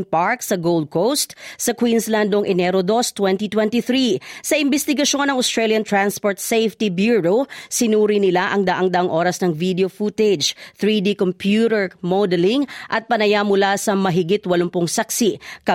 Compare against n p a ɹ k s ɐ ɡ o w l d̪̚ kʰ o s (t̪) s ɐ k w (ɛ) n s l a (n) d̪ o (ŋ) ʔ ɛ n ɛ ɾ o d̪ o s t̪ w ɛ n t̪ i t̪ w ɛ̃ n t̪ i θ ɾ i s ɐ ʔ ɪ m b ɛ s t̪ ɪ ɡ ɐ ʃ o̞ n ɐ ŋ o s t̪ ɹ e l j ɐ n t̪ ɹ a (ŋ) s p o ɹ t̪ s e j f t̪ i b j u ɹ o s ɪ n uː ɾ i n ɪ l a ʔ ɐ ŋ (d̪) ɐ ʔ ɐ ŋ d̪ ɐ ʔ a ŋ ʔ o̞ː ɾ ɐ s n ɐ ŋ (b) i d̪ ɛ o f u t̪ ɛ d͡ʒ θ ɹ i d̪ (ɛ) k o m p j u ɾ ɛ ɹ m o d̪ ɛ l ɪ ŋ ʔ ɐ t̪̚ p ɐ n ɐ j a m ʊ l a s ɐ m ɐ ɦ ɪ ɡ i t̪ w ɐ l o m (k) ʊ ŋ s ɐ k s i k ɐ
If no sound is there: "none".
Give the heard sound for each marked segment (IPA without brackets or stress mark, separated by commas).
t̪, i, n, ŋ, n, d̪, v, i, p